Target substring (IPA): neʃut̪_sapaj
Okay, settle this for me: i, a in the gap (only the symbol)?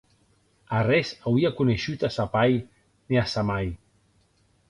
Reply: a